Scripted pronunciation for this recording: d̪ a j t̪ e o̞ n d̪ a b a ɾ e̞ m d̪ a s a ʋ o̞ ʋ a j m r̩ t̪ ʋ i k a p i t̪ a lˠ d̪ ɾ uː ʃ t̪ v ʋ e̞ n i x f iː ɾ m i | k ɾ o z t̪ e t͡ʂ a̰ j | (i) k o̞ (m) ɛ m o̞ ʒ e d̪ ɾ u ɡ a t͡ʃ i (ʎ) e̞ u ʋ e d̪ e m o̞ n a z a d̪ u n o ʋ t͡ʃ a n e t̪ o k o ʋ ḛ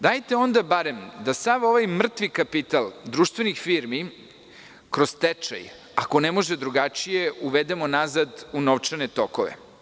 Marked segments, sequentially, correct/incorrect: incorrect, incorrect, incorrect

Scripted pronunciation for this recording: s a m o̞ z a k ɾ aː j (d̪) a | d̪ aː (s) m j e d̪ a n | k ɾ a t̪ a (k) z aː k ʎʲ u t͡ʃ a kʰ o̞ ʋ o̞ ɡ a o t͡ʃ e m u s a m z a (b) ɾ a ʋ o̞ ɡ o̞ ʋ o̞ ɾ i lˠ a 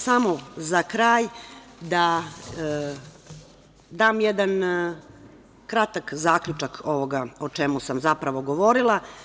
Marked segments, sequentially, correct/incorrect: correct, incorrect, correct, incorrect

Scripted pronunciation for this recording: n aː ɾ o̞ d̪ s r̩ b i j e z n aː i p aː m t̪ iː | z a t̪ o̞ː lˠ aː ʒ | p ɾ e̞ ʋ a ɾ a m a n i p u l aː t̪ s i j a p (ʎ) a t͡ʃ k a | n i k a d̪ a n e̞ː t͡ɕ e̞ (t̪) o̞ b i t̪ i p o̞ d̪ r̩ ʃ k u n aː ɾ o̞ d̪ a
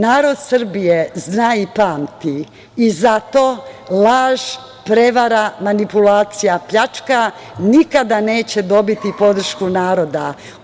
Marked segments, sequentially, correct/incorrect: correct, incorrect

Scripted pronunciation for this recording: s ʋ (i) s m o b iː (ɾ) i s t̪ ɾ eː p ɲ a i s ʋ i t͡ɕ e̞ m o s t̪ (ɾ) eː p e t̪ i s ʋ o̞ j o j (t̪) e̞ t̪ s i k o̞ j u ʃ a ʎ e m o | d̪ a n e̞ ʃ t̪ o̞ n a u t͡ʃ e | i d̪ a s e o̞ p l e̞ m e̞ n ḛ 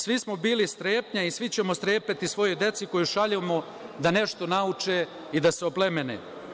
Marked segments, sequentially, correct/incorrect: correct, incorrect, correct, incorrect

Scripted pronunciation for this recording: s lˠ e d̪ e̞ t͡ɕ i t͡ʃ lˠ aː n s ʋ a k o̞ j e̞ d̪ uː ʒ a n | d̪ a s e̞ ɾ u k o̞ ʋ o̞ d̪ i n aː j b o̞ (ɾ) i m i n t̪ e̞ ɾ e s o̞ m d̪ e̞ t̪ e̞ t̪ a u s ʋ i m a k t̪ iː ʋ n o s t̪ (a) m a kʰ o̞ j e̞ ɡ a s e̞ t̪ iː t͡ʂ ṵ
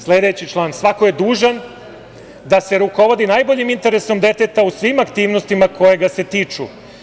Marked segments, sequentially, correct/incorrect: incorrect, incorrect

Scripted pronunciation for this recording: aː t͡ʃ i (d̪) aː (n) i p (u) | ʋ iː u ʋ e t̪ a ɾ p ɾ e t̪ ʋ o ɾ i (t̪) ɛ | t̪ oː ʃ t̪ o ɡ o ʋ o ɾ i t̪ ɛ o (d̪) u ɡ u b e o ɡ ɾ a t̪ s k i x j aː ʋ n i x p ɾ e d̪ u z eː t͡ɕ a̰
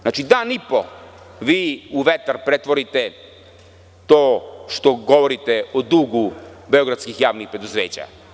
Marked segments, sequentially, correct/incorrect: correct, correct, incorrect, correct, correct

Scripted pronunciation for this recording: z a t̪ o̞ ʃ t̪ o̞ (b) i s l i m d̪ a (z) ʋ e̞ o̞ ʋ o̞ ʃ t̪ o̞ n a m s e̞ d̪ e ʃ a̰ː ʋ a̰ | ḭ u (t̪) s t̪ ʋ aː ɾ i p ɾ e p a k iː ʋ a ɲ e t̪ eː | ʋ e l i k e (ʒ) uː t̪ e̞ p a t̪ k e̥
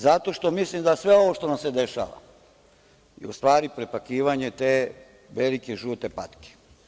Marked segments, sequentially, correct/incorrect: incorrect, incorrect, incorrect, correct

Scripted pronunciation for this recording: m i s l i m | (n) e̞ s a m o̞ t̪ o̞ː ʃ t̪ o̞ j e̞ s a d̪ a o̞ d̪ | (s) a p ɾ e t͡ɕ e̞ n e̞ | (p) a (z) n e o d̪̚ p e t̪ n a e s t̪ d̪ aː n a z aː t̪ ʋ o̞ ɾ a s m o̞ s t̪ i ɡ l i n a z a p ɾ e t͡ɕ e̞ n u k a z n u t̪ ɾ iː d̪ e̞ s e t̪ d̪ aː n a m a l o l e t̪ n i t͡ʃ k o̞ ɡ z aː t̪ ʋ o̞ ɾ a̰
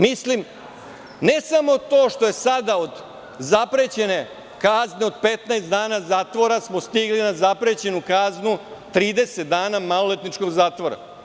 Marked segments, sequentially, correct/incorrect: correct, incorrect, incorrect, correct

